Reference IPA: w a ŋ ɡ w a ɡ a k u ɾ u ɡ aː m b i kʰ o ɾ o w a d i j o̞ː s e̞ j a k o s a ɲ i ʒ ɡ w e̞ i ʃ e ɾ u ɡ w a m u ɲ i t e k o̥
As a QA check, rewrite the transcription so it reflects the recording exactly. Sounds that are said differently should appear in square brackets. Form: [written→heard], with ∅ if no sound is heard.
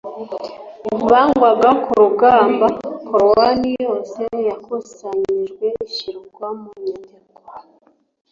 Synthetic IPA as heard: [w→β] a ŋ ɡ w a ɡ a k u ɾ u ɡ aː m b [i→a] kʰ o ɾ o w a [d→n] i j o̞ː s e̞ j a k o s a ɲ i ʒ ɡ w e̞ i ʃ [e→i] ɾ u ɡ w a m u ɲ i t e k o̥

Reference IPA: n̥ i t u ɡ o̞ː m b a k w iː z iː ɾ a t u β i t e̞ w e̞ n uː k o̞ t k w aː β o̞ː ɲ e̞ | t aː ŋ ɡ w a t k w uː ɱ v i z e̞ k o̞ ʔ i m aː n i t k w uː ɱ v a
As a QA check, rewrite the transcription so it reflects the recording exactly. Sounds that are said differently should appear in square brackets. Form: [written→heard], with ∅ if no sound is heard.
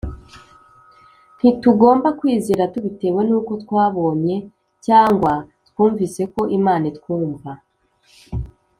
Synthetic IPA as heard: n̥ i t u ɡ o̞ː m b a k w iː z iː ɾ a t u β i t e̞ w e̞ n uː k o̞ t k w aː β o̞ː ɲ e̞ | [t→c] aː ŋ ɡ w a t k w uː ɱ v i [z→s] e̞ k o̞ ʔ i m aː n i t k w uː ɱ v a

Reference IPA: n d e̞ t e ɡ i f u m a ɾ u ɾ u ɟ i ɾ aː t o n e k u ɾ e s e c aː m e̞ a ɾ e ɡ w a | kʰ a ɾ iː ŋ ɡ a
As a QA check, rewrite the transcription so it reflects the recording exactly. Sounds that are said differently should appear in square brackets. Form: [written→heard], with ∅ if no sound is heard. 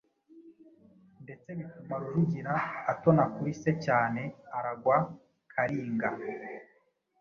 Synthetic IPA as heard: n d e̞ [t→t͡s] e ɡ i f u m a ɾ u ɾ u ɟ i ɾ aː t o n [e→a] k u ɾ [e→i] s e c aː [m→n] e̞ a ɾ [e→a] ɡ w a | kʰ a ɾ iː ŋ ɡ a

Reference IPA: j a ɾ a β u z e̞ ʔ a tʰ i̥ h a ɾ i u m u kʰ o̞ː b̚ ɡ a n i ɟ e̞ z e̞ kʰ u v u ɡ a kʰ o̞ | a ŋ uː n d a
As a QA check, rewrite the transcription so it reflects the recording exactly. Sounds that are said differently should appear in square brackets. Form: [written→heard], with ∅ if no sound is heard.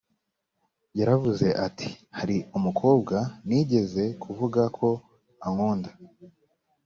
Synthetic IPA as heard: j a ɾ a [β→v] u z e̞ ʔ a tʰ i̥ h a ɾ i u m u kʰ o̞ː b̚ ɡ a n i ɟ e̞ z e̞ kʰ u v u ɡ a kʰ o̞ | a ŋ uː n d a

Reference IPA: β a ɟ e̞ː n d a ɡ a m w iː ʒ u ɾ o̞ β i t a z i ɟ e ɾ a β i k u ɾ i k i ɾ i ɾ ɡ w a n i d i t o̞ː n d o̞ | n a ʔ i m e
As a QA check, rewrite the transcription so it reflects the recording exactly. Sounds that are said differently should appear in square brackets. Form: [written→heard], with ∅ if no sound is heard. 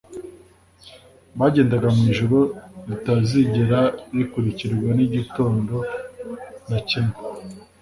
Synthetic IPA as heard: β a ɟ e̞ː n d a ɡ a m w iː ʒ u ɾ o̞ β i t a z i ɟ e ɾ a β i k u ɾ i [k→c] i ɾ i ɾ ɡ w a n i [d→ɟ] i t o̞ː n d o̞ | n a [ʔ→c] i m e

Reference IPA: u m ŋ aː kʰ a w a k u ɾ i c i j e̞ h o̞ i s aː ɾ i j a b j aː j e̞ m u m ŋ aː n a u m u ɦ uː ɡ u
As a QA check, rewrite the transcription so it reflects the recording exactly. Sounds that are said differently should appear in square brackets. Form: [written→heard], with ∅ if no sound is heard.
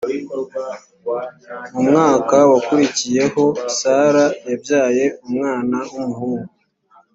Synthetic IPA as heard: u m ŋ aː [kʰ→k] a w a k u ɾ i c i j e̞ h o̞ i s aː ɾ [i→a] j a b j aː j e̞ [m→∅] u m ŋ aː n a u m u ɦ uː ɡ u

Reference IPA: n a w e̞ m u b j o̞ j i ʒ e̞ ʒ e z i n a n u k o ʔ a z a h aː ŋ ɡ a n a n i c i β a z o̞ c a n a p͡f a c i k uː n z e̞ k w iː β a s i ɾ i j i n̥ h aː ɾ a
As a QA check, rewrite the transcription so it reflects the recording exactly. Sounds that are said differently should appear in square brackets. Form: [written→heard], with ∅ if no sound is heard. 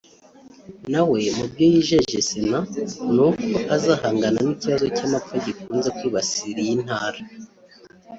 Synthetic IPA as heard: n a w e̞ m u b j o̞ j i ʒ e̞ ʒ e [z→s] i n a n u k o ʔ a z a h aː ŋ ɡ a n a n i c i β a z o̞ c a [n→m] a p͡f a [c→ɟ] i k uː n z e̞ k w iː β a s i ɾ i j i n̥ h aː ɾ a

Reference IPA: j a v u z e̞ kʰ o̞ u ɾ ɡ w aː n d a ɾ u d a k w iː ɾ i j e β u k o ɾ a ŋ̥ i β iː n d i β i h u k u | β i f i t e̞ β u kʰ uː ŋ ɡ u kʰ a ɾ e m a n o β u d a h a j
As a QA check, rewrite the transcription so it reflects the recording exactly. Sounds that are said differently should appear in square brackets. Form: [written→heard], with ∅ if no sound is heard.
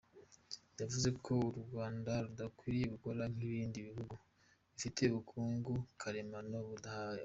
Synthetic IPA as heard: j a v u z e̞ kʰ o̞ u ɾ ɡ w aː n d a ɾ u d a k w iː ɾ i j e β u k o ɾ a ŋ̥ i β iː n d i β i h u [k→ɡ] u | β i f i t e̞ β u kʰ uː ŋ ɡ u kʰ a ɾ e m a n o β u d a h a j

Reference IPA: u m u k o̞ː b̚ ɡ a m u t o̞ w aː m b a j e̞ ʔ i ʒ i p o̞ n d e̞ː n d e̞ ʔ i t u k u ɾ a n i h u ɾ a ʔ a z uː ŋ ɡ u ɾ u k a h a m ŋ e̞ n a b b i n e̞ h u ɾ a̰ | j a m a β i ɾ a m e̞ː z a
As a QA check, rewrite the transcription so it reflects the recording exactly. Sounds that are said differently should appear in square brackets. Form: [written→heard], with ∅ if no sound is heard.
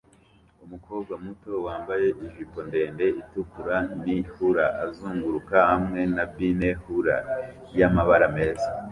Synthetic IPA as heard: u m u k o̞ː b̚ ɡ a m u t o̞ w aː m b a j e̞ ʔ i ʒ i p o̞ n d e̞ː n d e̞ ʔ i t u k u ɾ a n i h u ɾ a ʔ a z uː ŋ ɡ u ɾ u k a h a m ŋ e̞ n a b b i n e̞ h u ɾ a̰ | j a m a β [i→a] ɾ a m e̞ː z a

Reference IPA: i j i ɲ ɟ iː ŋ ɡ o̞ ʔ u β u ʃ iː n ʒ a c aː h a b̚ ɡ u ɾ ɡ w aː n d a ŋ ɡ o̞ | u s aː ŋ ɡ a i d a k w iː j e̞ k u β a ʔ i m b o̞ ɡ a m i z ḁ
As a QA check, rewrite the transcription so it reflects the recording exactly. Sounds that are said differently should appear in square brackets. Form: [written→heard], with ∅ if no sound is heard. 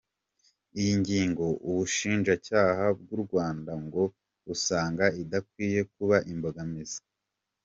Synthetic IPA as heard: i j i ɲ ɟ iː ŋ ɡ o̞ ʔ u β u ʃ iː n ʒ a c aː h a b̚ ɡ u ɾ ɡ w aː n d a ŋ ɡ o̞ | u s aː ŋ ɡ a i d a k w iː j e̞ k u β a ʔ i m b o̞ ɡ a m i z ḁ

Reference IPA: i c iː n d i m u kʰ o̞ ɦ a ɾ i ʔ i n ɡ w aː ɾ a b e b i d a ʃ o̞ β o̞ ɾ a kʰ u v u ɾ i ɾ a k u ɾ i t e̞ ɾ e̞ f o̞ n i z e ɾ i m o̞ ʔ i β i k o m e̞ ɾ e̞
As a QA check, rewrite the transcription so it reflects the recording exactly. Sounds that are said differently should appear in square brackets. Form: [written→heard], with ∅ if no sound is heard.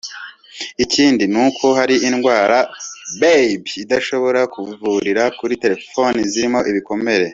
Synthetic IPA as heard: i c iː n d i [m→n] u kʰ o̞ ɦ a ɾ i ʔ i n ɡ w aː ɾ a b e b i d a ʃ o̞ β o̞ ɾ a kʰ u v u ɾ i ɾ a k u ɾ i t e̞ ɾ e̞ f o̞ n i z [e→i] ɾ i m o̞ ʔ i β i k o m e̞ ɾ e̞

